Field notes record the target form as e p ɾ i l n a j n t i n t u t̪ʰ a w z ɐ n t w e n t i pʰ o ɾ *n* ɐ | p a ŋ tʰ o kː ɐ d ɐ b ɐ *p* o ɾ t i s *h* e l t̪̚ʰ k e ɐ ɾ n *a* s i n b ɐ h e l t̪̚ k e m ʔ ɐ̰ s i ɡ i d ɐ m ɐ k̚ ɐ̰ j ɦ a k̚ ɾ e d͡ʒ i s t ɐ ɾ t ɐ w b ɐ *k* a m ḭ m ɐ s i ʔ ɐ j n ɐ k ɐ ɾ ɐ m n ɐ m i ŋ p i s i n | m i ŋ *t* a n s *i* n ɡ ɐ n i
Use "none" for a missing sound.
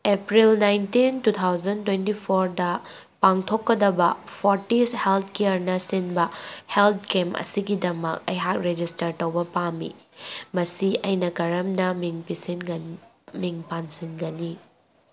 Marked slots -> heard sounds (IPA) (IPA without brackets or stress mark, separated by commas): d, pʰ, h, ɐ, p, p, i